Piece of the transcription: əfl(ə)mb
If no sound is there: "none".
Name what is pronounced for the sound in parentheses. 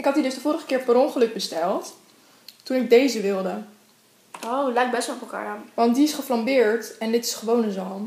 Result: ɑ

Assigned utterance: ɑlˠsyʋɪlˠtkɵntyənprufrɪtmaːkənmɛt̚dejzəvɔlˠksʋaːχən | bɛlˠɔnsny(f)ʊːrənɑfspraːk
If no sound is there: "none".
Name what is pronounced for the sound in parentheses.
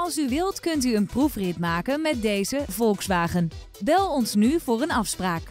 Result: v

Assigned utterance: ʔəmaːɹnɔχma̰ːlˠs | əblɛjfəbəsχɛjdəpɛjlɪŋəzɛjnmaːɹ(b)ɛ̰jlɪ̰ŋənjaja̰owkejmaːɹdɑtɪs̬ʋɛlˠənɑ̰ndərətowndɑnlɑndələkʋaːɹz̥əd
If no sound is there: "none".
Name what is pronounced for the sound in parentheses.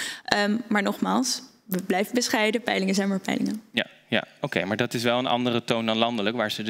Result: p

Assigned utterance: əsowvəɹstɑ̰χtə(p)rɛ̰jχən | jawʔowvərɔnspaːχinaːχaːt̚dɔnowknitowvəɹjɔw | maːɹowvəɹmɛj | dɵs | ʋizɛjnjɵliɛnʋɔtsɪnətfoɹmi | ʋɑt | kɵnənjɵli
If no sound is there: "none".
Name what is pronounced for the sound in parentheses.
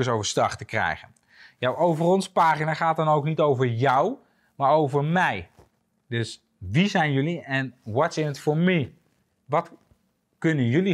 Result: k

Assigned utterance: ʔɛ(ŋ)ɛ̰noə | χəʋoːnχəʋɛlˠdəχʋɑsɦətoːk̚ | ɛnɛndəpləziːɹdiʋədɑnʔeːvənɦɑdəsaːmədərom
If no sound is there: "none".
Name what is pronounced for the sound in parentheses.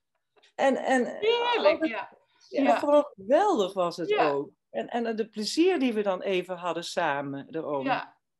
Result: n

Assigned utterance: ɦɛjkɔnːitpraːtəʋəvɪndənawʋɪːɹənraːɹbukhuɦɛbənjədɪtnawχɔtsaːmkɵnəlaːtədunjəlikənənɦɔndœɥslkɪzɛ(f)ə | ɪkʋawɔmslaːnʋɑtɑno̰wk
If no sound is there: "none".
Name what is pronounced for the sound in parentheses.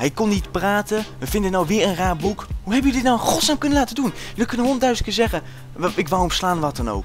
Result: χ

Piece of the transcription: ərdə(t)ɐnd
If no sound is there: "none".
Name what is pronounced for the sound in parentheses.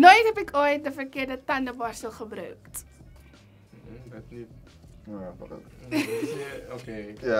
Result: t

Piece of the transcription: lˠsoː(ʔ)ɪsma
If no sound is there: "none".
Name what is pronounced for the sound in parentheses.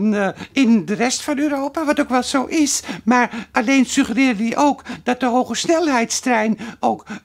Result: ʔ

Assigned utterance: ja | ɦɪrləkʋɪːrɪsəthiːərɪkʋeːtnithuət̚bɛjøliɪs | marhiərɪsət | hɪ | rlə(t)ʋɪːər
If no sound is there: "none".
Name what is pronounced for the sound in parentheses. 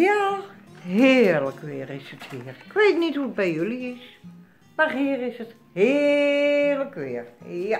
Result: k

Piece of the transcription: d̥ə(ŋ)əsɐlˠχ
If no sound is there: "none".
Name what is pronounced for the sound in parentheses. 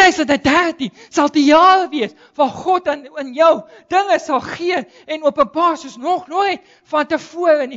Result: ŋ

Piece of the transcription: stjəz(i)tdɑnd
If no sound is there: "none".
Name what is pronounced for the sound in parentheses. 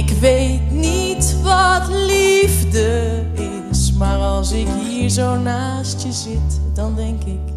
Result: ɪ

